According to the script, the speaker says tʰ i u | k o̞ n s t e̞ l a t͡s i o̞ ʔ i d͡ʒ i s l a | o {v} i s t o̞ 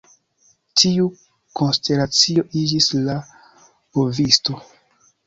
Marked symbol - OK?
yes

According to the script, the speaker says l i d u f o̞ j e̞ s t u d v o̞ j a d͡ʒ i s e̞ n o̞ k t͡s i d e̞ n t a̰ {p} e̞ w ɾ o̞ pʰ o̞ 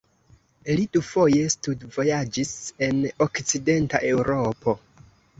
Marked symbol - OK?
no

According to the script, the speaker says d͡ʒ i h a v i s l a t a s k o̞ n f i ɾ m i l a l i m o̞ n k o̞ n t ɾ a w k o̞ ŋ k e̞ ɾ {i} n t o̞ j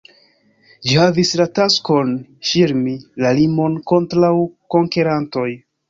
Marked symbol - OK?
no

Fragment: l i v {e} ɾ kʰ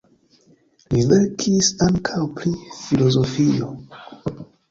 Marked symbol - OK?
yes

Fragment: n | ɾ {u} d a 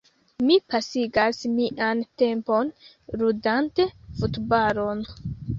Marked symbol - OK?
yes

